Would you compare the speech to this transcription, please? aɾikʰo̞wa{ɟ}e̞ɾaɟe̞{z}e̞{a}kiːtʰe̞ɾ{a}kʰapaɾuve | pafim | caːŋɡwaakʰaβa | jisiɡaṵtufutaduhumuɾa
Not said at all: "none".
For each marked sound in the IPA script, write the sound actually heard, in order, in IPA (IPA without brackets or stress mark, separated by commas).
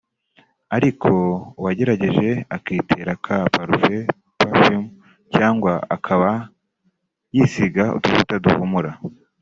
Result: ɟ, ʒ, a, a